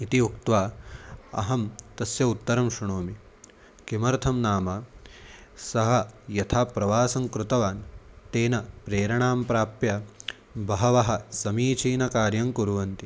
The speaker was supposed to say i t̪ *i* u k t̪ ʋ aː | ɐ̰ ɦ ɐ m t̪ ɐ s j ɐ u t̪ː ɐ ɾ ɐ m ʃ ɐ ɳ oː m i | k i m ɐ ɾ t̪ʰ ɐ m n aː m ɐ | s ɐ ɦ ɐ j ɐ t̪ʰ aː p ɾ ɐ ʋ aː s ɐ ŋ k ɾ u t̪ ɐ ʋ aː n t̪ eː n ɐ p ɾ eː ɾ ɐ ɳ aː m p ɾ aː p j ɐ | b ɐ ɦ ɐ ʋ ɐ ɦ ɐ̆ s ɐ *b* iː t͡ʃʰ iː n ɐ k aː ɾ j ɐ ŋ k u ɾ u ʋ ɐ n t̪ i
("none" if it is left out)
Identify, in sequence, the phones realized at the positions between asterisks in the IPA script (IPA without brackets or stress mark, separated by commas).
i, m